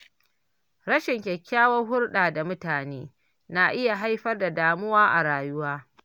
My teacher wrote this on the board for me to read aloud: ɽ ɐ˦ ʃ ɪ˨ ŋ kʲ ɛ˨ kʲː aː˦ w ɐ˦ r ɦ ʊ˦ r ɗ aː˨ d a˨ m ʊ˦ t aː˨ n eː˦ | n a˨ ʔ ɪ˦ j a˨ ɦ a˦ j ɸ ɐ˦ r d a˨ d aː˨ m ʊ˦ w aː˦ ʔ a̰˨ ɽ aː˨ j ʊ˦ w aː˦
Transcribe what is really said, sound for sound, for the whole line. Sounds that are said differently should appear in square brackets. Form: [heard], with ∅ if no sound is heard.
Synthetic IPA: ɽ ɐ˦ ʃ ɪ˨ ŋ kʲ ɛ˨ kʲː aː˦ w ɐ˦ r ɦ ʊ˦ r ɗ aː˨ d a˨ m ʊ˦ t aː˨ n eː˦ | n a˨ ʔ ɪ˦ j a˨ ɦ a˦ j ɸ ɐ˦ r d a˨ d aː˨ m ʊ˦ w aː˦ ʔ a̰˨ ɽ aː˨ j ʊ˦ w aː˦